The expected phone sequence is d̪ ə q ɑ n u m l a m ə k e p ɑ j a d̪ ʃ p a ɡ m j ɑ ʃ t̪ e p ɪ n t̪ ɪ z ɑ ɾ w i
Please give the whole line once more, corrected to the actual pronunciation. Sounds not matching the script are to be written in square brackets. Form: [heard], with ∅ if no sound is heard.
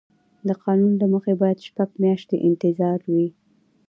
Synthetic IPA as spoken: d̪ ə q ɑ n u [n] l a m ə [x] e [b] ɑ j a d̪ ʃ p a ɡ m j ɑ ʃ t̪ e [ʔ] ɪ n t̪ ɪ z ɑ ɾ w i